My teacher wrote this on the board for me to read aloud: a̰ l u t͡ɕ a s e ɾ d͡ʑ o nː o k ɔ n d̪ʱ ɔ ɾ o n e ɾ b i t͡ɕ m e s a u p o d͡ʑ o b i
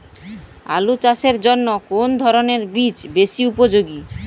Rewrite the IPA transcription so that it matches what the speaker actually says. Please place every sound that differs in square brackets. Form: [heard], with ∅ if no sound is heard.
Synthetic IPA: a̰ l u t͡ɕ a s e ɾ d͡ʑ o nː o k [o] n d̪ʱ ɔ ɾ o n e ɾ b i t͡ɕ [b] e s [i] u p o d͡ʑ o [ɡ] i